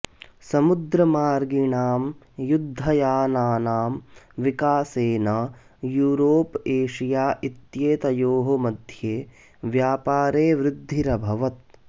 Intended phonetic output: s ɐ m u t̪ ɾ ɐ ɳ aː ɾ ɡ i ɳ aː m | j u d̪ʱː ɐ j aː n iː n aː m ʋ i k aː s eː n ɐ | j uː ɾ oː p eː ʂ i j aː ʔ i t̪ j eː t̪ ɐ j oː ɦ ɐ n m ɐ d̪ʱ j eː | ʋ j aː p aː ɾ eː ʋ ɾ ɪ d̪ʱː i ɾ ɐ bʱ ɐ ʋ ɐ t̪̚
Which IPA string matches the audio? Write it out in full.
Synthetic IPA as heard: s ɐ m u d̪ ɾ ɐ m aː ɾ ɡ i ɳ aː m | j u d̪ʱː ɐ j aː n aː n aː m ʋ i k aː s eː n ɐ | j uː ɾ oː p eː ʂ i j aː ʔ i t̪ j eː t̪ ɐ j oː ɦ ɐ m ɐ d̪ʱ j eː | ʋ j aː p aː ɾ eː ʋ ɾ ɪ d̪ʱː i ɾ ɐ bʱ ɐ ʋ ɐ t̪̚